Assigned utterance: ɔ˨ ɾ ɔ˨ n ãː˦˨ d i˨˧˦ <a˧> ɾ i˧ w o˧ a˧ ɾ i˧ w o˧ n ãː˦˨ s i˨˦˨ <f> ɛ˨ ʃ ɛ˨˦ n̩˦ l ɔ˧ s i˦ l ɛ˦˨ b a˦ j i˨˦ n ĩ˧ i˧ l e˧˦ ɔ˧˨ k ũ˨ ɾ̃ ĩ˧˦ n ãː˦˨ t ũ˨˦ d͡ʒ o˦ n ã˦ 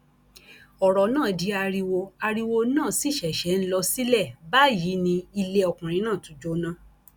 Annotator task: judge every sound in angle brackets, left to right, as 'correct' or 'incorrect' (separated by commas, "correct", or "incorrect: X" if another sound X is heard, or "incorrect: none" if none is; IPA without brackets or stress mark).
correct, incorrect: ʃ